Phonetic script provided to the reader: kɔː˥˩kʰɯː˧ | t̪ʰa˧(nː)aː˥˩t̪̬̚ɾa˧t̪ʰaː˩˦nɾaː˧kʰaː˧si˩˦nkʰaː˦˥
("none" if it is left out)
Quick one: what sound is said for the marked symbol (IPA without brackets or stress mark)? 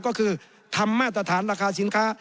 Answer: mː